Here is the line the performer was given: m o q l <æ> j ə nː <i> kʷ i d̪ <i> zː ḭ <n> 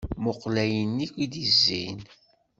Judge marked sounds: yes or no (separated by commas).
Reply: yes, yes, yes, yes